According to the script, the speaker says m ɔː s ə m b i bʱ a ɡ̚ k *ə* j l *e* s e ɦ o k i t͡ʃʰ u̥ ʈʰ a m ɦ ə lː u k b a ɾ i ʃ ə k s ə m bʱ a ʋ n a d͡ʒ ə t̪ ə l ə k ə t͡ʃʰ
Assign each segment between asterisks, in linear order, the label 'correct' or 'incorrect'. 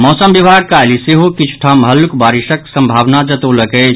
incorrect: a, incorrect: i

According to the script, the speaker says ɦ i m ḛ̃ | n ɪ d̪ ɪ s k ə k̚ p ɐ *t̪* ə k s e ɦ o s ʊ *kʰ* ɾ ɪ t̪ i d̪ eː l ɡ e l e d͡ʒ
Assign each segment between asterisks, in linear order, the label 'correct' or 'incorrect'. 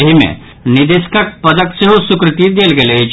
incorrect: d̪, incorrect: k

